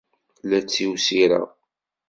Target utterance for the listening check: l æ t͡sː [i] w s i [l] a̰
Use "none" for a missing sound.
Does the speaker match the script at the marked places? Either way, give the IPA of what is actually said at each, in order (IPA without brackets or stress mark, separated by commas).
i, ɾ